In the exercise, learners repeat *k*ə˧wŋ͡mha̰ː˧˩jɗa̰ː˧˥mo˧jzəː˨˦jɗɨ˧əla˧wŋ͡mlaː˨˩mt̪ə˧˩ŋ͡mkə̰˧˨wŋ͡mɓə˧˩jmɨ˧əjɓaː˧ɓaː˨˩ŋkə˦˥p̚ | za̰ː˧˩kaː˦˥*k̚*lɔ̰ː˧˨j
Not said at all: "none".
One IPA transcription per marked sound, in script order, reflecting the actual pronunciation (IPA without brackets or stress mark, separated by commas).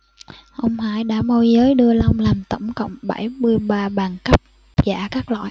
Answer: ʔ, k̚